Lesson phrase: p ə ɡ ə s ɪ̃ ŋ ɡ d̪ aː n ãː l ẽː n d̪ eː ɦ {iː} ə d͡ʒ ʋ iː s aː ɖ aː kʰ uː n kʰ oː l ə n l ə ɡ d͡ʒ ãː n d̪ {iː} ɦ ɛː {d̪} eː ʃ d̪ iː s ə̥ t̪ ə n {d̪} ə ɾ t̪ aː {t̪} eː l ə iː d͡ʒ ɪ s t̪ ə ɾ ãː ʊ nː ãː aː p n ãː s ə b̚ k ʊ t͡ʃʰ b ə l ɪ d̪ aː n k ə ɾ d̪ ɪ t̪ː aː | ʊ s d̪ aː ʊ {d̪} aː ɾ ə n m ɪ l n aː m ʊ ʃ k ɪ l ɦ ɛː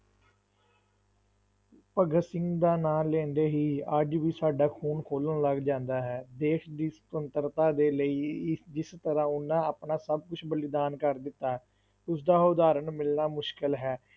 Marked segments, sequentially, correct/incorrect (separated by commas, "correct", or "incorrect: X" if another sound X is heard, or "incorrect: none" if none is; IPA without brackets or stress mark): correct, incorrect: aː, correct, incorrect: t̪, incorrect: d̪, correct